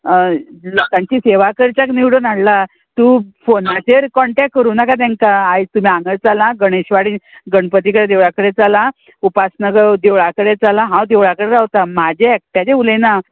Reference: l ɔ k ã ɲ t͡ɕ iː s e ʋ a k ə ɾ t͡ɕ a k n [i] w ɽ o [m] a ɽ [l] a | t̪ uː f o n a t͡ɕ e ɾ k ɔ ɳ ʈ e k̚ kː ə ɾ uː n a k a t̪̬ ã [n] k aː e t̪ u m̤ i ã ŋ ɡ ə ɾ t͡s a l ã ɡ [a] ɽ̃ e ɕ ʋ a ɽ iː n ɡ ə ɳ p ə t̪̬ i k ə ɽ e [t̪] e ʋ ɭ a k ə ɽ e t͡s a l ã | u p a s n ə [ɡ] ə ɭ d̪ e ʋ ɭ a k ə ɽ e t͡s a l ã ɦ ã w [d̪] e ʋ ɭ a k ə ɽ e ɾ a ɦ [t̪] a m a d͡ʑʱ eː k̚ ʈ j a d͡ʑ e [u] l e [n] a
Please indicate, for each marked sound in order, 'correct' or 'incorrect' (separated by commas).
correct, incorrect, correct, incorrect, incorrect, incorrect, correct, correct, correct, correct, correct